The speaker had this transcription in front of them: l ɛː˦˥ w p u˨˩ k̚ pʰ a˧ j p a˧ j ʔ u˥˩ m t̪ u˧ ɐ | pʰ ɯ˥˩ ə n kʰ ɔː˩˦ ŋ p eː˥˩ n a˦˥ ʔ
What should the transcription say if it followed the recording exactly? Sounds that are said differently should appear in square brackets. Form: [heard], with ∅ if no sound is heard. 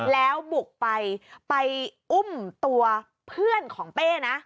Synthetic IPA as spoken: l ɛː˦˥ w [b] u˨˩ k̚ [p] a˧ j p a˧ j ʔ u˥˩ m t̪ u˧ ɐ | pʰ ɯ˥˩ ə n kʰ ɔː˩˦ ŋ p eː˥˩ n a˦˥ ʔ